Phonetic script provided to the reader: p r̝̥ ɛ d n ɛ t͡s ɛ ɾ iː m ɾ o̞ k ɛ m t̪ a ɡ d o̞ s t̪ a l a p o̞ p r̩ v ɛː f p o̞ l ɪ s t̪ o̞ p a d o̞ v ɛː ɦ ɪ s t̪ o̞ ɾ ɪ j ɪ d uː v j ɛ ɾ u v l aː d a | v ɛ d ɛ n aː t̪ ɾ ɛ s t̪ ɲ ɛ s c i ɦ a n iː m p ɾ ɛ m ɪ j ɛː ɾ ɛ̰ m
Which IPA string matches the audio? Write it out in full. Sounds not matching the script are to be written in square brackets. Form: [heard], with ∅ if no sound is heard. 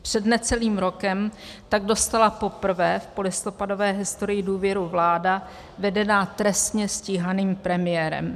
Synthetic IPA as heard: p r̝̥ ɛ d n ɛ t͡s ɛ [l] iː m ɾ o̞ k ɛ m t̪ a ɡ d o̞ s t̪ a l a p o̞ p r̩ v ɛː f p o̞ l ɪ s t̪ o̞ p a d o̞ v ɛː ɦ ɪ s t̪ o̞ ɾ ɪ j ɪ d uː v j ɛ ɾ u v l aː d a | v ɛ d ɛ n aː t̪ ɾ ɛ s t̪ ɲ ɛ s c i ɦ a n iː m p ɾ ɛ m ɪ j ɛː ɾ ɛ̰ m